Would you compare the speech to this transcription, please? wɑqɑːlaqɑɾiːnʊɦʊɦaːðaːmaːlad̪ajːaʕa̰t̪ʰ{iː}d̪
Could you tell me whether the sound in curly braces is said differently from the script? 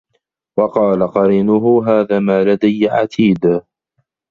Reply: no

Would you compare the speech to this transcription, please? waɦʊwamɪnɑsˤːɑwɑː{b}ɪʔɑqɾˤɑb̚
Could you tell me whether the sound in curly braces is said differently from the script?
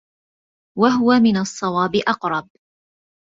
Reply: no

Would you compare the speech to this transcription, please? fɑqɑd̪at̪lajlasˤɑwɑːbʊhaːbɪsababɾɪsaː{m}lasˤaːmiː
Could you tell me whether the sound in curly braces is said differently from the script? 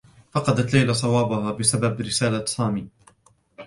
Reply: yes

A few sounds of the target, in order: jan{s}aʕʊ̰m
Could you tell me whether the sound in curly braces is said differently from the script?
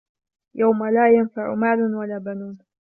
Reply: yes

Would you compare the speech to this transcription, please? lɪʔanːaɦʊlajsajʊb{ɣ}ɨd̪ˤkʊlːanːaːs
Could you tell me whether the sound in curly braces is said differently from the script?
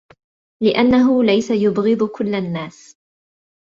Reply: no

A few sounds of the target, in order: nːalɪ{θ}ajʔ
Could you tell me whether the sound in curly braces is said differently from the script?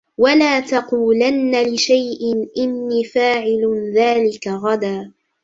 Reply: yes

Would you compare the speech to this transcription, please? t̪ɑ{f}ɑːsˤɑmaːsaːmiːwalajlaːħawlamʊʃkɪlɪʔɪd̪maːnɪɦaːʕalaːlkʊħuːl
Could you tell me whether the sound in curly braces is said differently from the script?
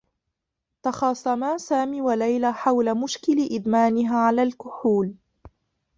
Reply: yes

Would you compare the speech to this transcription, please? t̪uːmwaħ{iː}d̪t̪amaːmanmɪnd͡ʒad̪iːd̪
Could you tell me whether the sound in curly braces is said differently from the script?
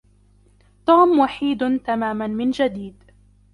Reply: no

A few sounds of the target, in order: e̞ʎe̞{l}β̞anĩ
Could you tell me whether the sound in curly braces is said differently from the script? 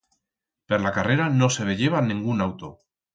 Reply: yes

